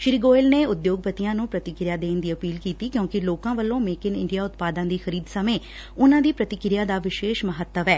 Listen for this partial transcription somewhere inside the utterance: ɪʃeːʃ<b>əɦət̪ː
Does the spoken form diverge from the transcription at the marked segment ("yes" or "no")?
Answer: yes